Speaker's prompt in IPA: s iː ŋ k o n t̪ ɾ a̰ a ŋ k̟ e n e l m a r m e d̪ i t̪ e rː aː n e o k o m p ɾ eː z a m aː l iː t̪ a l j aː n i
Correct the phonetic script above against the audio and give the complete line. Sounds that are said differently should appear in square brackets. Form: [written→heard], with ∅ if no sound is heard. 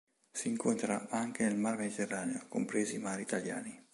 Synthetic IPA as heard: s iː ŋ k o n t̪ ɾ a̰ a ŋ k̟ e n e l m a r m e d̪ i t̪ e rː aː n e o k o m p ɾ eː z [a→i] m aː [l→ɾ] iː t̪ a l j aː n i